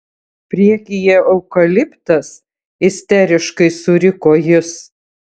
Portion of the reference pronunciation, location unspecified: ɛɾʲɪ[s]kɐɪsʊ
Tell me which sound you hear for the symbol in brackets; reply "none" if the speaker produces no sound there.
ʃ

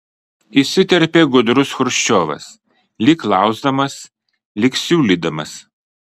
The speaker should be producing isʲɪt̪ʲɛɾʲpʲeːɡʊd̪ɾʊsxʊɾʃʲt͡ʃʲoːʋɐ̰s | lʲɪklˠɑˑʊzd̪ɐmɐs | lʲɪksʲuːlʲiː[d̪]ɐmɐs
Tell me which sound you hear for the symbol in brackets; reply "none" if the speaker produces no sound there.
d̪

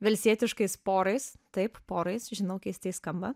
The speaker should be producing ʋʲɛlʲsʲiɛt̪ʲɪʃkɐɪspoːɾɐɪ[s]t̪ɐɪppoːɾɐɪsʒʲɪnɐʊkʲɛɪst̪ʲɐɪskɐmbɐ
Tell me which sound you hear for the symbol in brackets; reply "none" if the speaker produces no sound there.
s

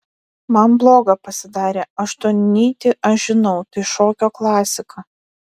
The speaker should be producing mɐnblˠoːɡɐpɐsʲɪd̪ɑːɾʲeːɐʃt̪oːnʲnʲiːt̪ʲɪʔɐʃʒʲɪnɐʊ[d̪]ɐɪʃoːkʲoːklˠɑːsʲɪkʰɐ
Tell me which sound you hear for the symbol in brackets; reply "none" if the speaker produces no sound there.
t̪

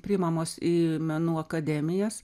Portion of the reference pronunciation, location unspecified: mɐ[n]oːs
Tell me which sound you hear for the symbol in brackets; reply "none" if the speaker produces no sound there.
m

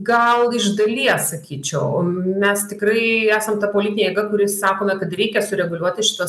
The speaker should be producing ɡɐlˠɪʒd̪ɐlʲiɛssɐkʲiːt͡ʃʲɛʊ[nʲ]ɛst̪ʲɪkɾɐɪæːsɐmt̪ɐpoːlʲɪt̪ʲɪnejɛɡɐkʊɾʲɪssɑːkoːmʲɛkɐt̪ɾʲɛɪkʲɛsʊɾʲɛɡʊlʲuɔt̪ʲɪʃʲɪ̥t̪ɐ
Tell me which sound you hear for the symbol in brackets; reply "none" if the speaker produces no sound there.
mʲ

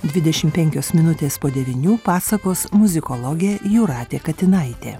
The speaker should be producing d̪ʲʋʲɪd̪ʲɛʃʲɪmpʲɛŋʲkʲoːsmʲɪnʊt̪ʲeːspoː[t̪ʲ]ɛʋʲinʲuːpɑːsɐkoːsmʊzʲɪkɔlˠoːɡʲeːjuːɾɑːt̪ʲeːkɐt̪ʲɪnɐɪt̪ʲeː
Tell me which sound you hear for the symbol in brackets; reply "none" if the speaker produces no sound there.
d̪ʲ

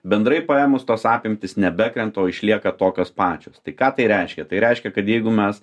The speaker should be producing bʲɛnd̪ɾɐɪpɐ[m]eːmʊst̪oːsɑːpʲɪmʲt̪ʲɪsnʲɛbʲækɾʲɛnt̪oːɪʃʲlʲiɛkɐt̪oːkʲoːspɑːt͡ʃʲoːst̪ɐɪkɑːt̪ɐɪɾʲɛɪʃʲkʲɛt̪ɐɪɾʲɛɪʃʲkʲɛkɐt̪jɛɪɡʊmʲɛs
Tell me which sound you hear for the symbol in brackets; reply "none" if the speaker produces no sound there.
none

